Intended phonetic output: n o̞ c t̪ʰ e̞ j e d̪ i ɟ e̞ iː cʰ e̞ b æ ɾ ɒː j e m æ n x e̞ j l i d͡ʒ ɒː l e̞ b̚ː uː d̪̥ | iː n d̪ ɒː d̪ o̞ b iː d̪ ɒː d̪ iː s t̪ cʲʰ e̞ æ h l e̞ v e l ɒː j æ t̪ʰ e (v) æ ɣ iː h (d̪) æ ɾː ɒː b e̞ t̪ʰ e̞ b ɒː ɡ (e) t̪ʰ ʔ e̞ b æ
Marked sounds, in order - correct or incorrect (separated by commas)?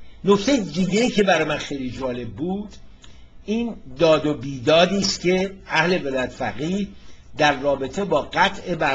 incorrect, correct, incorrect